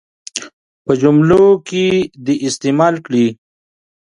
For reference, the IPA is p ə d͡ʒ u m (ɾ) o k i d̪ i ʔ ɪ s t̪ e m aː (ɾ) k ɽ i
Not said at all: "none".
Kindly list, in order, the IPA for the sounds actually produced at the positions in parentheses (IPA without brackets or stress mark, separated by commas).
l, l